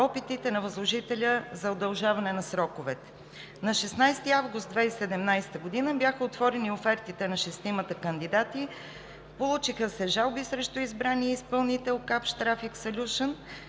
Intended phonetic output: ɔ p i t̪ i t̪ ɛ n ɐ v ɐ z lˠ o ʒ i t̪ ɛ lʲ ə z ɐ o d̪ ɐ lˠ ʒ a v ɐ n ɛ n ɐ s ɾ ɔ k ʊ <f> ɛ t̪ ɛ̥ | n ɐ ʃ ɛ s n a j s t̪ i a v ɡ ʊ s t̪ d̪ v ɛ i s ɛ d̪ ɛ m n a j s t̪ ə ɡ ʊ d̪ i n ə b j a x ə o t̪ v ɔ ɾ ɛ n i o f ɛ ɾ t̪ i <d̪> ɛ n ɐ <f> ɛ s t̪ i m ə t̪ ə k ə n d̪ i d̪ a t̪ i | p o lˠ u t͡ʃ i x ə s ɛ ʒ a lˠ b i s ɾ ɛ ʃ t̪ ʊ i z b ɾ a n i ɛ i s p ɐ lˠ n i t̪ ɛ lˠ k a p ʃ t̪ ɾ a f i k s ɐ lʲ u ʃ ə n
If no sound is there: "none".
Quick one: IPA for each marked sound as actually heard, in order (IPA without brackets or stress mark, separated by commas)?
v, t̪, ʃ